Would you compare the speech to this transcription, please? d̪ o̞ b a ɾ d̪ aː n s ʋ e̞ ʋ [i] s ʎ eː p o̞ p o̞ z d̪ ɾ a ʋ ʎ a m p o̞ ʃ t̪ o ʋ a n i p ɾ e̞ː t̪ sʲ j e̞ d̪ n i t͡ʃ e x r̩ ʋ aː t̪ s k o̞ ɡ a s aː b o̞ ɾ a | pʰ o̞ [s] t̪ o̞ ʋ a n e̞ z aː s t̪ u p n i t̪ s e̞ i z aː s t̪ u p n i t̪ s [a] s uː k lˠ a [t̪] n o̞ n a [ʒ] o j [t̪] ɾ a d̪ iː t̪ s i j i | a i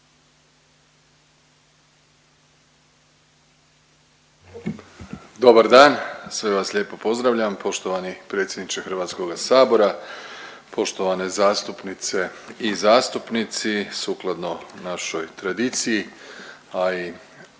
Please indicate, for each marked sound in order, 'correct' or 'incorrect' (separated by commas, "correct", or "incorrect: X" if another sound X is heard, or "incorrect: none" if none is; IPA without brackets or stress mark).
incorrect: a, incorrect: ʃ, incorrect: i, incorrect: d̪, incorrect: ʃ, correct